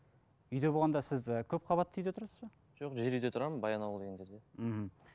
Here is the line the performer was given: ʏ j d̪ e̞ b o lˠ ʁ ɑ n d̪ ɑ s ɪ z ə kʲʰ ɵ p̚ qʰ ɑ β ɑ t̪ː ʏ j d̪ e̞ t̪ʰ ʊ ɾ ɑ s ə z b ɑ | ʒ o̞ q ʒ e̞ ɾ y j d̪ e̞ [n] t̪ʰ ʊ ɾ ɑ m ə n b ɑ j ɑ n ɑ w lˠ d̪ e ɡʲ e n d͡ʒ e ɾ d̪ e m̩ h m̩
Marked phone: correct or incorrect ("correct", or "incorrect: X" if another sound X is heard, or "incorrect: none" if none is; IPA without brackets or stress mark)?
incorrect: none